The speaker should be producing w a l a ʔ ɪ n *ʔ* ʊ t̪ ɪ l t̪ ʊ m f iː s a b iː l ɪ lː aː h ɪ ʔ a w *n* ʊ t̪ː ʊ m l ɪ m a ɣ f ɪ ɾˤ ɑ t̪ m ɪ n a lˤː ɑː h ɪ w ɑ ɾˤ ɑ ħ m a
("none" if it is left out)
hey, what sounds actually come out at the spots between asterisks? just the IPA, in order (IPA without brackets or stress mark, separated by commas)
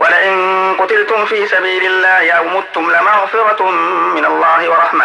q, m